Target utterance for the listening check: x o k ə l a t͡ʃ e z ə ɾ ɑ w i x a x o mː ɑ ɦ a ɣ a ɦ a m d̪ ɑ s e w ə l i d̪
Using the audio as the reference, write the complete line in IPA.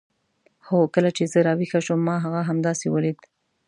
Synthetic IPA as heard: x o k ə l a t͡ʃ e z ə ɾ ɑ w i x a ʃ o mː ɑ ɦ a ɣ a ɦ a m d̪ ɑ s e w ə l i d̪